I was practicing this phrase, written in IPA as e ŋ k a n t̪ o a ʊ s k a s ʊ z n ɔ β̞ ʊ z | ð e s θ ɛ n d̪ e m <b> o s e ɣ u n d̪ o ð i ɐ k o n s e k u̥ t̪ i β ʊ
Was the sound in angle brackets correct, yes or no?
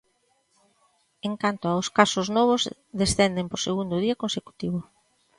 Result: no